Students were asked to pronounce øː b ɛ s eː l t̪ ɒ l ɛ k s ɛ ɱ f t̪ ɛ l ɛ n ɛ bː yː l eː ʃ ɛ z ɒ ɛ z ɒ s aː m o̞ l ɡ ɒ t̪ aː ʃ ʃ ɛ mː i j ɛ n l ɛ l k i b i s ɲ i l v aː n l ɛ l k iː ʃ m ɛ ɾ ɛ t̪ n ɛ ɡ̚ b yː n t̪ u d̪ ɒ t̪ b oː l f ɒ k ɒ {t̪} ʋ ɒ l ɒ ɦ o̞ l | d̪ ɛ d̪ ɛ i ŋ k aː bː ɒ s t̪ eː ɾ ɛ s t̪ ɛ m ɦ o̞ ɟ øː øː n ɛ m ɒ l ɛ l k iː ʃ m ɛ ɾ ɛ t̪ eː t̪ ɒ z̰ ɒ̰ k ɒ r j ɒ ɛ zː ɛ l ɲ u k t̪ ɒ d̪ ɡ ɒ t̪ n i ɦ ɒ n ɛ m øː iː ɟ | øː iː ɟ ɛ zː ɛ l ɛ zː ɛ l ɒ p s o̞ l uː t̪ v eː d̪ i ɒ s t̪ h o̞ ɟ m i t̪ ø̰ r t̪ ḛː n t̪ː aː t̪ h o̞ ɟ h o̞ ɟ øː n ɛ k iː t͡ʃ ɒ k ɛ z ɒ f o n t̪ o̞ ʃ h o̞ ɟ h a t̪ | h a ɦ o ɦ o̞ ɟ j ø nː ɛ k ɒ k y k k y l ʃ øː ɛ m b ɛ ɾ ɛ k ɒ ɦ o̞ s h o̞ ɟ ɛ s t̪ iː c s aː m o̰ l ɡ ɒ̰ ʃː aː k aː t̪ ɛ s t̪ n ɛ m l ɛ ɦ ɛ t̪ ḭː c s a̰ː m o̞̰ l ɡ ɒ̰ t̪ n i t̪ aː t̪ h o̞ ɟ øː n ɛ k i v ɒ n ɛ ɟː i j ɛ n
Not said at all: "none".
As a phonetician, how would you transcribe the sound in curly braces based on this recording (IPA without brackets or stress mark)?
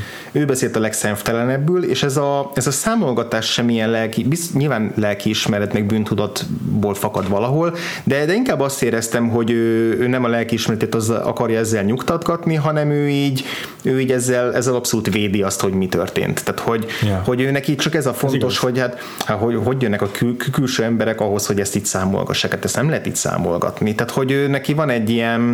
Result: d̪